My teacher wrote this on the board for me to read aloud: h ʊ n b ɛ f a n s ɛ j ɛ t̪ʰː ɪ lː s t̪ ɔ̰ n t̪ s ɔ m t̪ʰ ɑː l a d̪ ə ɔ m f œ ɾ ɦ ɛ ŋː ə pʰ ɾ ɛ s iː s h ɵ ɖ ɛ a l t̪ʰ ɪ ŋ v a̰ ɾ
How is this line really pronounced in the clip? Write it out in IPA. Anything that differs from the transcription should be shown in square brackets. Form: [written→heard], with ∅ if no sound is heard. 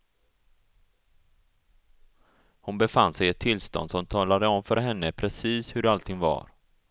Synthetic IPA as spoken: h ʊ n b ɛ f a n s ɛ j ɛ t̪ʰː ɪ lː s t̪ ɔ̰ n [t̪→d̪] s ɔ m t̪ʰ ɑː l a d̪ ə ɔ m f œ ɾ ɦ ɛ [ŋː→nː] ə pʰ ɾ ɛ s iː s h ɵ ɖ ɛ a l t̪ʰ ɪ ŋ v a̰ ɾ

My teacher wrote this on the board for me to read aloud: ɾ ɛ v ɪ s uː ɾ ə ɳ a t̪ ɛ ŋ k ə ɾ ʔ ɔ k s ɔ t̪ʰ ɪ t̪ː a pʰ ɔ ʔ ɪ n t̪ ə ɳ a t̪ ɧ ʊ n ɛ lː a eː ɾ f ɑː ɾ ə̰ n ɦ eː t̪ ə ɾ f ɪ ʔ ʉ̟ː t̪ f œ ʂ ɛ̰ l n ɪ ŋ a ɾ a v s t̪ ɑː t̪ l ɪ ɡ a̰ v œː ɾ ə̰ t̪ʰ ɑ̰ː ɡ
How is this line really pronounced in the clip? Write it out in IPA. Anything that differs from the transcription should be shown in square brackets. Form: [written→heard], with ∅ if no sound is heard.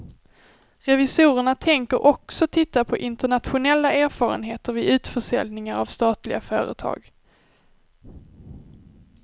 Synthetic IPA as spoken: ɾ ɛ v ɪ s uː ɾ ə ɳ a [t̪→t̪ʰ] ɛ ŋ k ə ɾ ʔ ɔ k s ɔ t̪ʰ ɪ t̪ː a pʰ ɔ ʔ ɪ n t̪ ə ɳ a t̪ ɧ ʊ n ɛ lː a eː ɾ f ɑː ɾ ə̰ n ɦ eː t̪ ə ɾ [f→v] ɪ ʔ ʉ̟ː t̪ f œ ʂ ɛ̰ l n ɪ ŋ a ɾ a v s t̪ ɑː t̪ l ɪ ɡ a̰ [v→f] œː ɾ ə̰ t̪ʰ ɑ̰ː ɡ

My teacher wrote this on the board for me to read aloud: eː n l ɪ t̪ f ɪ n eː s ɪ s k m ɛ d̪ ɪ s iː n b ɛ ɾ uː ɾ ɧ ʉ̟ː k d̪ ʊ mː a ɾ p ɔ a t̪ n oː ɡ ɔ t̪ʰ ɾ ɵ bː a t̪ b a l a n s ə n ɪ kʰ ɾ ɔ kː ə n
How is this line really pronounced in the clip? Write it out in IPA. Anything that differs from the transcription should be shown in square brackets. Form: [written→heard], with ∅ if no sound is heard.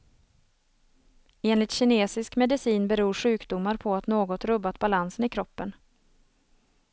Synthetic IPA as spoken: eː n l ɪ t̪ [f→ɕ] ɪ n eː s ɪ s k m ɛ d̪ ɪ s iː n b ɛ ɾ uː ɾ ɧ ʉ̟ː k d̪ ʊ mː a ɾ [p→pʰ] ɔ a t̪ n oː ɡ ɔ [t̪ʰ→t̪] ɾ ɵ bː a t̪ b a l a n s ə n ɪ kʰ ɾ ɔ [kː→pː] ə n

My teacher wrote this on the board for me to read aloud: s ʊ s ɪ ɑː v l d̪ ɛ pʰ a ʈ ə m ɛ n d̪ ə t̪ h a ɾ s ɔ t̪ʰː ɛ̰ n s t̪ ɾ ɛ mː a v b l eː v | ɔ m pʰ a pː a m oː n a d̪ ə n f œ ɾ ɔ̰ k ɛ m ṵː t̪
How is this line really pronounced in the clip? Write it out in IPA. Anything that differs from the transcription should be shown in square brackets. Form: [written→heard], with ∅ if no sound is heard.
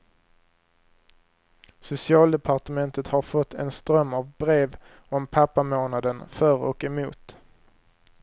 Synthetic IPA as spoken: s ʊ s ɪ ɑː [v→∅] l d̪ ɛ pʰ a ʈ ə m ɛ n [d̪→t̪] ə t̪ h a ɾ [s→f] ɔ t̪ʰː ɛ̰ n s t̪ ɾ [ɛ→œ] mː a v b [l→ɾ] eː v | ɔ m pʰ a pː a m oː n a d̪ ə n f œ ɾ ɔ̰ k ɛ m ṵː t̪

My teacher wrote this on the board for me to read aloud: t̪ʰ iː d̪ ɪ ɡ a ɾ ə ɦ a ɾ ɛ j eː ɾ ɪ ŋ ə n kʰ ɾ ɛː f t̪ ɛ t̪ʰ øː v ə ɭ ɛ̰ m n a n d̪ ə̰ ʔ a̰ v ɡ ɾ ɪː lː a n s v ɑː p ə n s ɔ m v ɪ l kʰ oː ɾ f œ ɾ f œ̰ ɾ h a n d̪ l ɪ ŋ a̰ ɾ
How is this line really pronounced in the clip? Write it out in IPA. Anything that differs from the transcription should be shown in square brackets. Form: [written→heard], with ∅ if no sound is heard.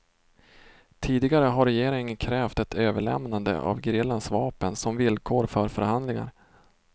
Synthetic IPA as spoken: t̪ʰ iː d̪ ɪ ɡ a ɾ ə ɦ a ɾ ɛ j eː ɾ ɪ ŋ ə n kʰ ɾ ɛː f t̪ ɛ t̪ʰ øː v ə ɭ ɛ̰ m n a n d̪ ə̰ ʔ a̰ v ɡ ɾ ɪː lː a n s v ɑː p ə n s ɔ m v ɪ l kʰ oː ɾ f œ ɾ f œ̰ ɾ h a n d̪ l ɪ ŋ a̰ ɾ

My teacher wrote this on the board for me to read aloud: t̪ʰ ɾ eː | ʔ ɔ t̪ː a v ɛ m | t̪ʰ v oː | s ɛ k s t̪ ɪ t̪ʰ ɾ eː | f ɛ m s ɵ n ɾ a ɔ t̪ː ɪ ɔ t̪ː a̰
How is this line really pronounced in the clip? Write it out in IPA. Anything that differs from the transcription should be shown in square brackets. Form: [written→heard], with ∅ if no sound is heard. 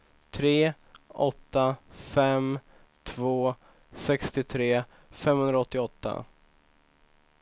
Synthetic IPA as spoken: t̪ʰ ɾ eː | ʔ ɔ t̪ː a [v→f] ɛ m | t̪ʰ v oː | s ɛ k s t̪ ɪ t̪ʰ ɾ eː | f ɛ m [s→h] ɵ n ɾ a ɔ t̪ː ɪ ɔ t̪ː a̰

